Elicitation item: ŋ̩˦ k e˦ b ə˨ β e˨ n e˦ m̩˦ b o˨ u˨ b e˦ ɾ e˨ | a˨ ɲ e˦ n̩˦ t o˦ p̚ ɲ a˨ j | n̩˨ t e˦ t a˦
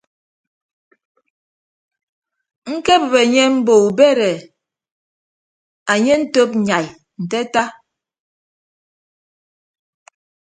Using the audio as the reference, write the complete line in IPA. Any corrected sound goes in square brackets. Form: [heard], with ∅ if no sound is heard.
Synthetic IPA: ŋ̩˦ k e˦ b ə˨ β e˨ [ɲ] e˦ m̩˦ b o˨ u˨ b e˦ ɾ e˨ | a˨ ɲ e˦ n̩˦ t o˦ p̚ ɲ a˨ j | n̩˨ t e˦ t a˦